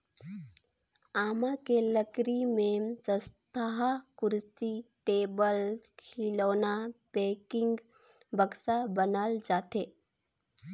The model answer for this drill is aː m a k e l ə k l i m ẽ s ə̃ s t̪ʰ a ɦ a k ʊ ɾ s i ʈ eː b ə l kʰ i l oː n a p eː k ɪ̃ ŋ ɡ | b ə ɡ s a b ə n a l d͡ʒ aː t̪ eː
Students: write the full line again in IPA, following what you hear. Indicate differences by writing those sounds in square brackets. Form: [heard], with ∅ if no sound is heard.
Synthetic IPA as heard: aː m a k e l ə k [ɾ] i m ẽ s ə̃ s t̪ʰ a ɦ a k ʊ ɾ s i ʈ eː b ə l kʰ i l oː n a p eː k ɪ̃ ŋ ɡ | b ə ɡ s a b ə n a l d͡ʒ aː t̪ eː